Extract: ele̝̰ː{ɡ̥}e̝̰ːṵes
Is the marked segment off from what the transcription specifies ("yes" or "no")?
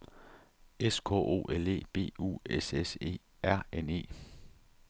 yes